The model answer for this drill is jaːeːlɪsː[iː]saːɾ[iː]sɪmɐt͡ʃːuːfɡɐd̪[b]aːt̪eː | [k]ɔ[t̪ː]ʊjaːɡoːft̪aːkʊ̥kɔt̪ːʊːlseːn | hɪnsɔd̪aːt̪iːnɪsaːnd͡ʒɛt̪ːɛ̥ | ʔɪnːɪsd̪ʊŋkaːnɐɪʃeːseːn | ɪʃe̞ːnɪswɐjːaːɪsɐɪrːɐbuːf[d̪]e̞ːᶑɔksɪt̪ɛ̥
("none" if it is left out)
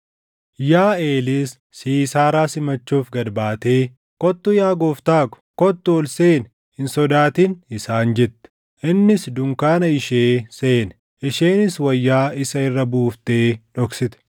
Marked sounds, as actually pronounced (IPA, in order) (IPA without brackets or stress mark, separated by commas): iː, aː, b, k, t̪ː, t̪